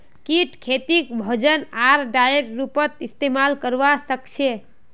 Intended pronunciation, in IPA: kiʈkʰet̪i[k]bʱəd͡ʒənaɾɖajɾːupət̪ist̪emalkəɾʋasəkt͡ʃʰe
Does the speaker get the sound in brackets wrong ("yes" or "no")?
no